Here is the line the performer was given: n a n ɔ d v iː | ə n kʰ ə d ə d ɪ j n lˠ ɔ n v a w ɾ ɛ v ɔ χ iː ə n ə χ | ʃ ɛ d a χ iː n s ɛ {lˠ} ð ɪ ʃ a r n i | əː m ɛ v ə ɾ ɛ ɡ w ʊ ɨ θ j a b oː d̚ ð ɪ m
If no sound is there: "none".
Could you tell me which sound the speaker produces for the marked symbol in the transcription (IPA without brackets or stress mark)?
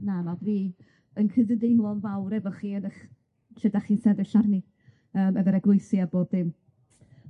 none